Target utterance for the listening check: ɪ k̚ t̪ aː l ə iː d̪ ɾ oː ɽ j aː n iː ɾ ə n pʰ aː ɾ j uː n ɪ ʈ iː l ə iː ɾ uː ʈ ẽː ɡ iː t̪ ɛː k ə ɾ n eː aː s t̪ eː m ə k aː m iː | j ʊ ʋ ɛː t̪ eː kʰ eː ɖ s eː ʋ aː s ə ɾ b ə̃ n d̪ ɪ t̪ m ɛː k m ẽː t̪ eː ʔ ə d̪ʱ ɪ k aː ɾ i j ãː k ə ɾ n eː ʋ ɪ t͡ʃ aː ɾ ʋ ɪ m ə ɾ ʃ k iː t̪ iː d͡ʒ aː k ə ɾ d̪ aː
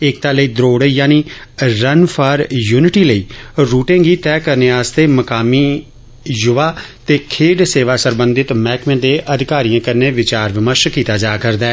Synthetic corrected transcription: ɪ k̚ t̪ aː l ə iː d̪ ɾ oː ɽ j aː n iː ɾ ə n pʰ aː ɾ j uː n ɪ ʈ iː l ə iː ɾ uː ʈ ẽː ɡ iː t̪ ɛː k ə ɾ n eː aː s t̪ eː m ə k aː m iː | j ʊ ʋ aː t̪ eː kʰ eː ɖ s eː ʋ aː s ə ɾ b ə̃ n d̪ ɪ t̪ m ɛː k m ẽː d̪ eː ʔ ə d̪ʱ ɪ k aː ɾ i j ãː k ə ɾ n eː ʋ ɪ t͡ʃ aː ɾ ʋ ɪ m ə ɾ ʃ k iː t̪ aː d͡ʒ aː k ə ɾ d̪ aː